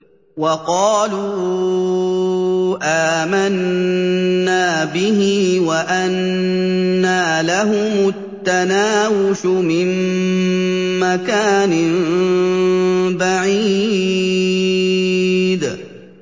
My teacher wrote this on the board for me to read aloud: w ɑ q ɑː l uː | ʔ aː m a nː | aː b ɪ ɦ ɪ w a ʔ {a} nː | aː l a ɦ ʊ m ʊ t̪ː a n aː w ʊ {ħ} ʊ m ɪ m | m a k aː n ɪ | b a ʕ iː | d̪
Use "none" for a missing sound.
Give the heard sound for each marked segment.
a, ʃ

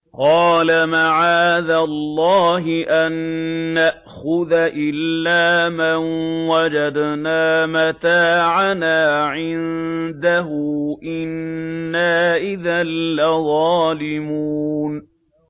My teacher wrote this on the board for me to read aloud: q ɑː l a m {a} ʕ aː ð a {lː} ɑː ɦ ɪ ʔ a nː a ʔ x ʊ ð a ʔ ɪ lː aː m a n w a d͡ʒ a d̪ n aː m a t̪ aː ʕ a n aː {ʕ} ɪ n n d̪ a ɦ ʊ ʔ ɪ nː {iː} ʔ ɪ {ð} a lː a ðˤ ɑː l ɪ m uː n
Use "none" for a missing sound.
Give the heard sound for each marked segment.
a, lː, ʕ, aː, ð

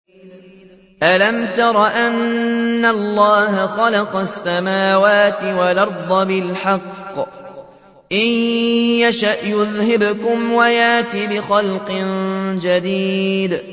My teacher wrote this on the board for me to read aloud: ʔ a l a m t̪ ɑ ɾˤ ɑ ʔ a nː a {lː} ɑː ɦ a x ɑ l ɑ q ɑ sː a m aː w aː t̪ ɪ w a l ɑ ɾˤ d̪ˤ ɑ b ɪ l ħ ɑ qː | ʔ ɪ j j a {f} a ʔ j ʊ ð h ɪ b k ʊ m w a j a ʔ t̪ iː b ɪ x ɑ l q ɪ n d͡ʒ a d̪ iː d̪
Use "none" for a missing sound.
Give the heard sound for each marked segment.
lː, ʃ

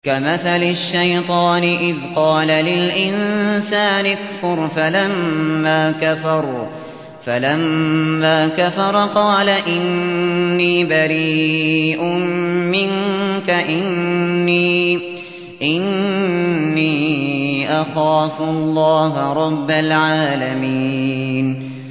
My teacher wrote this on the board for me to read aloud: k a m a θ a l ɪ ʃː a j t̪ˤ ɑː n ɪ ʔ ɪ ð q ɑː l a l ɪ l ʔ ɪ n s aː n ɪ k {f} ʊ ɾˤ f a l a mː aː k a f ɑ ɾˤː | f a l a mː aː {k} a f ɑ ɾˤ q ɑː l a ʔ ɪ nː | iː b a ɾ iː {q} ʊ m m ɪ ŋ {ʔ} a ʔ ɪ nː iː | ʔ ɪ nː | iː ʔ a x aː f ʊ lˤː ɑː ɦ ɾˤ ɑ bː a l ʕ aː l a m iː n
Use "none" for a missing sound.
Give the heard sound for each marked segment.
f, k, ʔ, k

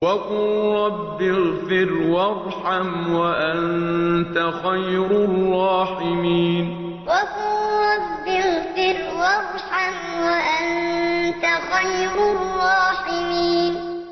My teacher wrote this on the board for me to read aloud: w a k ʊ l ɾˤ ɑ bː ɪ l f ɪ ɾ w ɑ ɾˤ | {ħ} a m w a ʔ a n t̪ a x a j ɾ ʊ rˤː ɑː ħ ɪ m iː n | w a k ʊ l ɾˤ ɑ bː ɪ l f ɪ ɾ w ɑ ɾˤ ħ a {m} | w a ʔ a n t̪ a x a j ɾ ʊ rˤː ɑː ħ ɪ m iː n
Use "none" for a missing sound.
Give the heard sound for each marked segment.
ħ, m

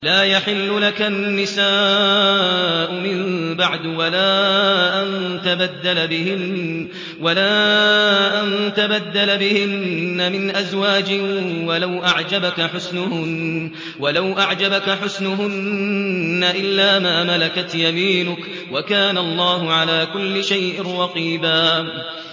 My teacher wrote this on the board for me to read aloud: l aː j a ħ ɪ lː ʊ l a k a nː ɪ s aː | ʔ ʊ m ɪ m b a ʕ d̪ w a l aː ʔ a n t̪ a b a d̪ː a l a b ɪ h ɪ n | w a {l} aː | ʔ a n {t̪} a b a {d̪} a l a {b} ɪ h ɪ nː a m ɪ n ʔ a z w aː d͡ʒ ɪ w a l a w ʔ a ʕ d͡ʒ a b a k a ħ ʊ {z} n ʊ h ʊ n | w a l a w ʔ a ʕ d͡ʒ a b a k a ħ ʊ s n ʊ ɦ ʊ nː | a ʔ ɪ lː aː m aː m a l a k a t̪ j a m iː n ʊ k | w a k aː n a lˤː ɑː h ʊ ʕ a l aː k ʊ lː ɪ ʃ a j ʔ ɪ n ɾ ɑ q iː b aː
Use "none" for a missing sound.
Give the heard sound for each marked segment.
l, t̪, d̪ː, b, s

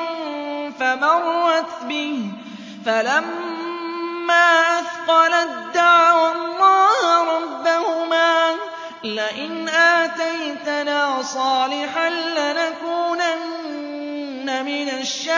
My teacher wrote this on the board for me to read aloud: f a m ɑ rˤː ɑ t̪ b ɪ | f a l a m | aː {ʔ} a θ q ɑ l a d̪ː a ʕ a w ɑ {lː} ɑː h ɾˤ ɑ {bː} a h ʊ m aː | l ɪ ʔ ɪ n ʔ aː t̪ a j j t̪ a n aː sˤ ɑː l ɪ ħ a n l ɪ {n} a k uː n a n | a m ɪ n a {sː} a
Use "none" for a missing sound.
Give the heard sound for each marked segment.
ʔ, lː, bː, n, ʃː

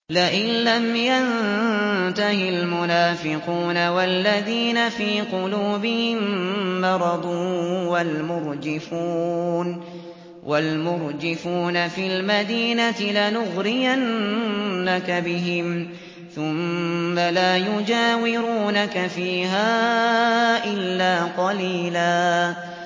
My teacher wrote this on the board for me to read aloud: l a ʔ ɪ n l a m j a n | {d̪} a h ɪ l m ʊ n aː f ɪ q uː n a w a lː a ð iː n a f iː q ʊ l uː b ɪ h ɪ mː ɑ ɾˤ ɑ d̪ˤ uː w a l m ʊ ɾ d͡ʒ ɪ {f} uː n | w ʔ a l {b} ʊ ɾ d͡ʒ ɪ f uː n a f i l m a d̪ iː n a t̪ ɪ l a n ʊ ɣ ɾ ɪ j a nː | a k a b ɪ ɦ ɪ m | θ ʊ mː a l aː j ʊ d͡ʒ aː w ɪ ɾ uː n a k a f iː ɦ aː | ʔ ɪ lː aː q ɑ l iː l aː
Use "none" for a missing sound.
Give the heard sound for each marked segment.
t̪, f, m

